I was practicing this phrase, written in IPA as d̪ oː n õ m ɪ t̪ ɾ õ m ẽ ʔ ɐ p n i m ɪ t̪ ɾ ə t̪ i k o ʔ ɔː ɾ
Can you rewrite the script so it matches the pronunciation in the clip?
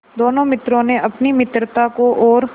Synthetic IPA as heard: d̪ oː n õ m ɪ t̪ ɾ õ n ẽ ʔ ɐ p n i m ɪ t̪ ɾ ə t̪ a k o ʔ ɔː ɾ